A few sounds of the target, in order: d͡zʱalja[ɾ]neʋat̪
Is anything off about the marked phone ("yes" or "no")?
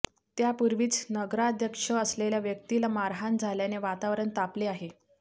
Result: yes